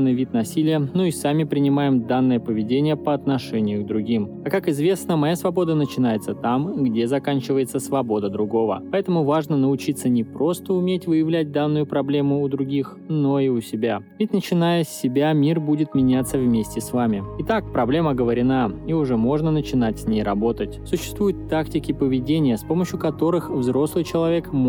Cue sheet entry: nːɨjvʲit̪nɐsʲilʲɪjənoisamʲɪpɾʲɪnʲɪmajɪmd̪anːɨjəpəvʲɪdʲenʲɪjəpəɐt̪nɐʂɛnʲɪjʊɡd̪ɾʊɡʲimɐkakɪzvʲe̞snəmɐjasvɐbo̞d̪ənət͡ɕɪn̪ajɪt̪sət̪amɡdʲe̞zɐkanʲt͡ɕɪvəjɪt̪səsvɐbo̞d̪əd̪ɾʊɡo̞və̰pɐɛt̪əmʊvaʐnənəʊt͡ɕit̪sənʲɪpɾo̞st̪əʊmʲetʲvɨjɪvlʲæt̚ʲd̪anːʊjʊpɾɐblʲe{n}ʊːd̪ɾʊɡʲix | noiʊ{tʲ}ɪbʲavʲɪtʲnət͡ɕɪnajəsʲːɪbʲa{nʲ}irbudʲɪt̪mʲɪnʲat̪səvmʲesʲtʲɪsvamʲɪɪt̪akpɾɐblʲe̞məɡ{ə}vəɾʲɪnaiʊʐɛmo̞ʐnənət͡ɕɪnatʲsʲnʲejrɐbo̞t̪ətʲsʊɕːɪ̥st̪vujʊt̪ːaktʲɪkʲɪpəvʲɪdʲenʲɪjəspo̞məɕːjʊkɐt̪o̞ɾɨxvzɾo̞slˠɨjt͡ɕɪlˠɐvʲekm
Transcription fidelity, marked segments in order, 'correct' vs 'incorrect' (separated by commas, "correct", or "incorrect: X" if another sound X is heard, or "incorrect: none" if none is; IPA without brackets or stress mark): incorrect: m, incorrect: sʲ, incorrect: mʲ, correct